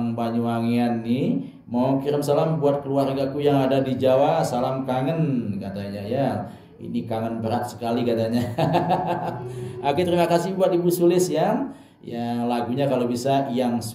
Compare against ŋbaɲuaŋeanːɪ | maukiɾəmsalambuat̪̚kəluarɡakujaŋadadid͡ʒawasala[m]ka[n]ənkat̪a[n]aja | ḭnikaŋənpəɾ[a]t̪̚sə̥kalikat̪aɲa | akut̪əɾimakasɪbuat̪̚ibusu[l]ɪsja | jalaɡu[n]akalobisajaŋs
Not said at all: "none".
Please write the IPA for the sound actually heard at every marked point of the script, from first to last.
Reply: m, ŋ, ɲ, a, l, ɲ

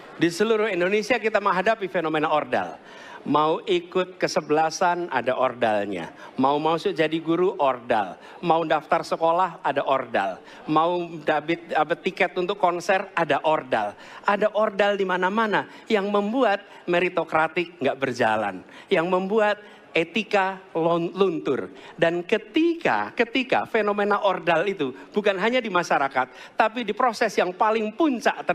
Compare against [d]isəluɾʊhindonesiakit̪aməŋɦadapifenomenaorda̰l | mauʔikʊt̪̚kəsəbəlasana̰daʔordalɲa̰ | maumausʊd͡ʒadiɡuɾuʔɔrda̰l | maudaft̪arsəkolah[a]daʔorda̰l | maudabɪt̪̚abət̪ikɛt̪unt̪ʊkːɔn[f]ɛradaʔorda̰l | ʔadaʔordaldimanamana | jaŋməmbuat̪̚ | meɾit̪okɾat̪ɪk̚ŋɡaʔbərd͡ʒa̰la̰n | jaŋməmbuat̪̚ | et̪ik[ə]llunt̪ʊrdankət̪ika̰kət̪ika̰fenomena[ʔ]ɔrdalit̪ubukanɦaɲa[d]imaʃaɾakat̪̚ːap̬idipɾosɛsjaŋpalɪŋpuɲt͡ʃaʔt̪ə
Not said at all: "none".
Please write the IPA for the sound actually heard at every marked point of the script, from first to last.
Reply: d, a, s, a, ʔ, d

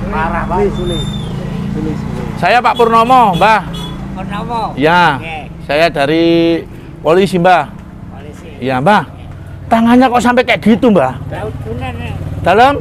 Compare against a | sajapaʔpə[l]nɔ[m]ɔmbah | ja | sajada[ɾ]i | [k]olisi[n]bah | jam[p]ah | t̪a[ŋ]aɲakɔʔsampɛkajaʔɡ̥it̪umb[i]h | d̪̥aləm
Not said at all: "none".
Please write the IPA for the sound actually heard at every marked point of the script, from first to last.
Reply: r, m, ɾ, p, m, b, ŋ, a

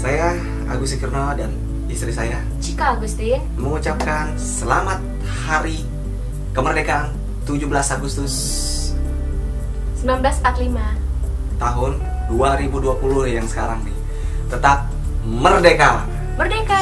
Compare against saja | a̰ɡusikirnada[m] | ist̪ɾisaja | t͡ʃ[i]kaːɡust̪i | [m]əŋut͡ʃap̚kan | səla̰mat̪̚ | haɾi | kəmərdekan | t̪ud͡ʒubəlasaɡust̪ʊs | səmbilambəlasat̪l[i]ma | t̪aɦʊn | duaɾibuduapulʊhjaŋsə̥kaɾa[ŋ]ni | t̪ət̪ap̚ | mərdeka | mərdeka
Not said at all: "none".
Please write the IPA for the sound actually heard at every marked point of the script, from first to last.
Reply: n, i, m, i, ŋ

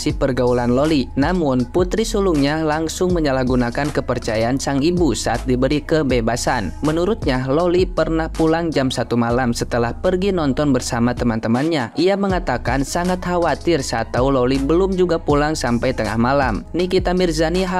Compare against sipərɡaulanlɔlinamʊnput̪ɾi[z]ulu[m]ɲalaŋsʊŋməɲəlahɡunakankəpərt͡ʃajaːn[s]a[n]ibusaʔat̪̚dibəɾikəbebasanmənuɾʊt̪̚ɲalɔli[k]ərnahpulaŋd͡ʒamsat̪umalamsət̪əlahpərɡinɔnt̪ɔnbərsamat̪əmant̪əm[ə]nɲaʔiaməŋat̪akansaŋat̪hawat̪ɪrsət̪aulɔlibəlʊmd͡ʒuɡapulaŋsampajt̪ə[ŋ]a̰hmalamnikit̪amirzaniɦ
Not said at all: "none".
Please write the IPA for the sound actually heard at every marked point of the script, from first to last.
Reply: s, ŋ, s, ŋ, p, a, ŋ

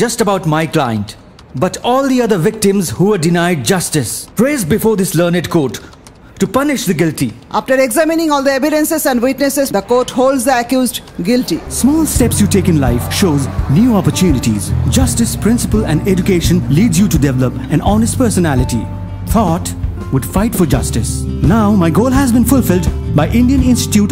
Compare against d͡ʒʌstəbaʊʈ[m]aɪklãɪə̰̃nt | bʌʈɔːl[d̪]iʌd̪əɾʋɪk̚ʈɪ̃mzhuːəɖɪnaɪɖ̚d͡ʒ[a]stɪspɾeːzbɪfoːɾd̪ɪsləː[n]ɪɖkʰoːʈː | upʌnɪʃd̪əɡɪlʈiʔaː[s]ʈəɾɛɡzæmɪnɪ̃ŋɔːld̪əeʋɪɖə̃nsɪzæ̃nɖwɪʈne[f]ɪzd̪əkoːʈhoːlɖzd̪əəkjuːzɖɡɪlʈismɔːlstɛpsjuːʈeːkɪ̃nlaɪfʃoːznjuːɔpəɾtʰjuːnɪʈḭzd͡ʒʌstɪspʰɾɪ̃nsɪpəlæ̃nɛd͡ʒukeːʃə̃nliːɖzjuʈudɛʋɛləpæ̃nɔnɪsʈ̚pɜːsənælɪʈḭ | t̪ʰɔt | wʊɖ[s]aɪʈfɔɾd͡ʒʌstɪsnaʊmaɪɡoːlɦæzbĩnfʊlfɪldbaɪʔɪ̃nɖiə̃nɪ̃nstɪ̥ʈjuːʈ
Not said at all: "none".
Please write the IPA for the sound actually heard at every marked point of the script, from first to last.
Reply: m, d̪, ʌ, n, f, s, f

